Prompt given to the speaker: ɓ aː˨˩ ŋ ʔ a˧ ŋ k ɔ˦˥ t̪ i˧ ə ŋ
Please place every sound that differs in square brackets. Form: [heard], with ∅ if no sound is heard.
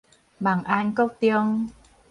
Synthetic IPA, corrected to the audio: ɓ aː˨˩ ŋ ʔ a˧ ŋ k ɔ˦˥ t̪ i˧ ə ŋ